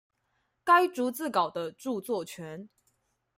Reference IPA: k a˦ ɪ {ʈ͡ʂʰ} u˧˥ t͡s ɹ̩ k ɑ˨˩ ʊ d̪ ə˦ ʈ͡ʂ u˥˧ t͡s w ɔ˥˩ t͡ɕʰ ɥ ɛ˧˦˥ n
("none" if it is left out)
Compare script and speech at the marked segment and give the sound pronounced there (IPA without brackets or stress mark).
ʈ͡ʂ